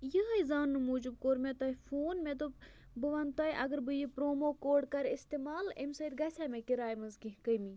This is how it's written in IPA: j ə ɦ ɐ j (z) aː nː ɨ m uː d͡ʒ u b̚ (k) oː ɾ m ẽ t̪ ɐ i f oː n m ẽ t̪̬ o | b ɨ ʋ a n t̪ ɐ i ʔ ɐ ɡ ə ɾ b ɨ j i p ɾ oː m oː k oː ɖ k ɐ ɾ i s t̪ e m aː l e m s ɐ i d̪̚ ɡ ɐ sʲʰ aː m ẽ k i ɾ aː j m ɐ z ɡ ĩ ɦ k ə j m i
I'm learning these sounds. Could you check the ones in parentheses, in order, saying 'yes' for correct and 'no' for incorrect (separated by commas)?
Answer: yes, yes